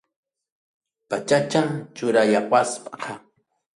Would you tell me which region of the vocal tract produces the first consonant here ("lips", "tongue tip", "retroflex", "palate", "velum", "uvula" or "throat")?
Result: lips